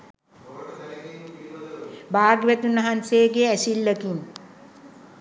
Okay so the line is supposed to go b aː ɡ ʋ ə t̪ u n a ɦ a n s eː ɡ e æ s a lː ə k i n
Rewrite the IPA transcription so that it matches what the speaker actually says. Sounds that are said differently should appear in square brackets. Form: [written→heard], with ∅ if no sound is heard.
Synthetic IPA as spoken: b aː ɡ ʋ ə t̪ u n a ɦ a n s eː ɡ e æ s [a→i] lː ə k i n